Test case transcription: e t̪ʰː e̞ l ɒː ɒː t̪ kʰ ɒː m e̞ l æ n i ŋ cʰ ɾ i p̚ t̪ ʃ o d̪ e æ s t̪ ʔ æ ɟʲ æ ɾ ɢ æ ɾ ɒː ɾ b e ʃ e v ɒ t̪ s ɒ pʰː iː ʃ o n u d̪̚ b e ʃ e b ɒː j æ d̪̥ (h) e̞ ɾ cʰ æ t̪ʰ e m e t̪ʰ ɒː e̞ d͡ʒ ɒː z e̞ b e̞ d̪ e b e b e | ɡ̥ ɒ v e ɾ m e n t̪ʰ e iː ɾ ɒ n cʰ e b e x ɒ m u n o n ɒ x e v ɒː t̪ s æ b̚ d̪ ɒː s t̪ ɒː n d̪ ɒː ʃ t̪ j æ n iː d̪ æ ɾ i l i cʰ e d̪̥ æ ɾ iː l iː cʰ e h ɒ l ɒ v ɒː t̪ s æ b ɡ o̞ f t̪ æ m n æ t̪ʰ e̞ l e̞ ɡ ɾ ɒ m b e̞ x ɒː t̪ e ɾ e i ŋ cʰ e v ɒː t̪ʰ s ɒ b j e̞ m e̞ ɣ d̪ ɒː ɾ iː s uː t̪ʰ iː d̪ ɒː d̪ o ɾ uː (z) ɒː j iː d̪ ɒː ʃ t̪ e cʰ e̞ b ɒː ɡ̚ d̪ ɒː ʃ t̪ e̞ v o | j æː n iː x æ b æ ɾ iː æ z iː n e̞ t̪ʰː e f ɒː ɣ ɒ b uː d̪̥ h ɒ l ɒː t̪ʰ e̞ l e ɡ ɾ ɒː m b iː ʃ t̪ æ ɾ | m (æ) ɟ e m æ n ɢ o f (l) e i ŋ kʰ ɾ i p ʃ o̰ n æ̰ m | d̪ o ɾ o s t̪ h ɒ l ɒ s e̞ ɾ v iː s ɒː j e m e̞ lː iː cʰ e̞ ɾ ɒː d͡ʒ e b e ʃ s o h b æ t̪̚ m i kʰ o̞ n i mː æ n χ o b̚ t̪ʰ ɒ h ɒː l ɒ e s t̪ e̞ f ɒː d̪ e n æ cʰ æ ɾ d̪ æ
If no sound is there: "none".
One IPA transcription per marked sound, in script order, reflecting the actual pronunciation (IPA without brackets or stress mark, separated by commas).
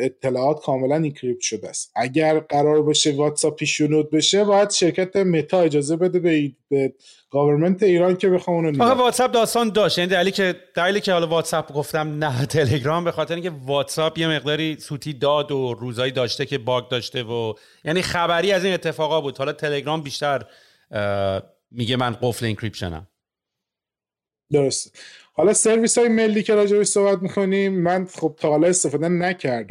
ʃ, z, i, l